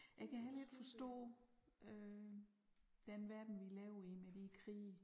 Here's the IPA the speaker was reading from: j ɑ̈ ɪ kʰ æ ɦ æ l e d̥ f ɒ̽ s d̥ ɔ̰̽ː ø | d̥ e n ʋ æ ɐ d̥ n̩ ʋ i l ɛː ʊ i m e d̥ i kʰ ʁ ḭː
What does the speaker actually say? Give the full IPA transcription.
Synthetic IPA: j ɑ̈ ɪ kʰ æ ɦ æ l e d̥ f ɒ̽ s d̥ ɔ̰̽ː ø | d̥ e n ʋ æ ɐ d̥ n̩ ʋ i l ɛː ʊ i m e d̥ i kʰ ʁ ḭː

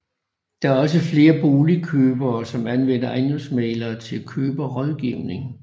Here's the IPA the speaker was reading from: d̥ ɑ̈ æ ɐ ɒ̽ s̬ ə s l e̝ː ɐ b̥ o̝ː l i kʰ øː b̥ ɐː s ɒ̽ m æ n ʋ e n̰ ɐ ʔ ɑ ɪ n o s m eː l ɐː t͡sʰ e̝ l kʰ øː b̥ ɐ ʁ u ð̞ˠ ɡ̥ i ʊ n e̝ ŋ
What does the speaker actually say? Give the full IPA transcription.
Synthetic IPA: d̥ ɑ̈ æ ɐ ɒ̽ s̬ ə f l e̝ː ɐ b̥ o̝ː l i kʰ øː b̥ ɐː s ɒ̽ m æ n ʋ e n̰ ɐ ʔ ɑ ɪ n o s m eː l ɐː t͡sʰ e̝ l kʰ øː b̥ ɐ ʁ ɒ ð̞ˠ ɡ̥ i ʊ n e̝ ŋ

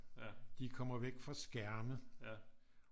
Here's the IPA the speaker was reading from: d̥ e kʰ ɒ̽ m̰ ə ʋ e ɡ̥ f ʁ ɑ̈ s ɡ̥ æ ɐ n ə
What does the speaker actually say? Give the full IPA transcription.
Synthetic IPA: d̥ i kʰ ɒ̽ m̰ ɐ ʋ e ɡ̥ f ʁ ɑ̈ s ɡ̥ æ ɐ m ə

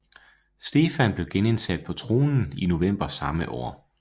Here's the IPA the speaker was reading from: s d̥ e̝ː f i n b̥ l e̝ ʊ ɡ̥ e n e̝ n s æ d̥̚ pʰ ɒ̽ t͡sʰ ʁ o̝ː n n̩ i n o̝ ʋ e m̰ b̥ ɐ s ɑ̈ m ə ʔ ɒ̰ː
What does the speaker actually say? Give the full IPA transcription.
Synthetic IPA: s d̥ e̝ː f æ n b̥ l e̝ ʊ ɡ̥ e n e̝ n s æ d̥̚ pʰ ɒ̽ t͡sʰ ʁ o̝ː n n̩ i n o̝ ʋ e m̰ b̥ ɐ s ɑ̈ m ə ʔ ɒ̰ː

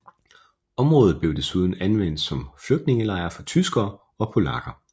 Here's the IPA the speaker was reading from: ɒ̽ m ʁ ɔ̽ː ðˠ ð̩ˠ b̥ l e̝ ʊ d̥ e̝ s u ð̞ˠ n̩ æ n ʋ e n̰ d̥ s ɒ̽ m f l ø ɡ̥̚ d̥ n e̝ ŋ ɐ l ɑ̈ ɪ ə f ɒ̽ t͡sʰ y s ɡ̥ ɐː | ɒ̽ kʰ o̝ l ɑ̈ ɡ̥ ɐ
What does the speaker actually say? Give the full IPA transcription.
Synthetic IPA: ɒ̽ m ʁ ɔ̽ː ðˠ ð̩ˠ b̥ l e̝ ʊ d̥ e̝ s u ð̞ˠ n̩ æ n ʋ e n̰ d̥ s ɒ̽ m f l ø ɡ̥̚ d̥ n e̝ ŋ ə l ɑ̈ ɪ ɐ f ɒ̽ t͡sʰ y s ɡ̥ ɐː | ɒ̽ pʰ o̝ l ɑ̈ ɡ̥ ɐ

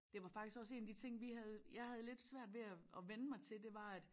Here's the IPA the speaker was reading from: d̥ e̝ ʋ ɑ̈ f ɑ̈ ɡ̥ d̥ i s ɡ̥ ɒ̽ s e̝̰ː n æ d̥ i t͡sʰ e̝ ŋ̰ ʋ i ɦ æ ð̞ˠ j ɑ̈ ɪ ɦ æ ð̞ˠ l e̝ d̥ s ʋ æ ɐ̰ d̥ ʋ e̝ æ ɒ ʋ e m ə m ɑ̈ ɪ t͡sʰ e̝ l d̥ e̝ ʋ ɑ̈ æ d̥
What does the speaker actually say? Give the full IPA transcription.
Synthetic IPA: d̥ e̝ ʋ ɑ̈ f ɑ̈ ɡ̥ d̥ i s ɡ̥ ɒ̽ s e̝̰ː n æ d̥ i t͡sʰ e̝ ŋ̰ ʋ i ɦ æ ð̞ˠ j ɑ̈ ɪ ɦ æ ð̞ˠ l e̝ d̥ s ʋ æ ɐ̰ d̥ ʋ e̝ æ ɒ ʋ e n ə m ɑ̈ ɪ t͡sʰ e̝ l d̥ e̝ ʋ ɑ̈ æ d̥

